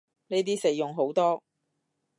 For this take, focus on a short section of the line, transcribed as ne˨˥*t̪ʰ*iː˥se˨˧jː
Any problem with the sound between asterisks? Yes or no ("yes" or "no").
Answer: yes